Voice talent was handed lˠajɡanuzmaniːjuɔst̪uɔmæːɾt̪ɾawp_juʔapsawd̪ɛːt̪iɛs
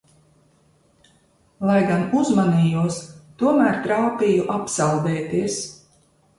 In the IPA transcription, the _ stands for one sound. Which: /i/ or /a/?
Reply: i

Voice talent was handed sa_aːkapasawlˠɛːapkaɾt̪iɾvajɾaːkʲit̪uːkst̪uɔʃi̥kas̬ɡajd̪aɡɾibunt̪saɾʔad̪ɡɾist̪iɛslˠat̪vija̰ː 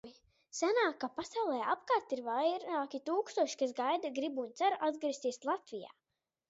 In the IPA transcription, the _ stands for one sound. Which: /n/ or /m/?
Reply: n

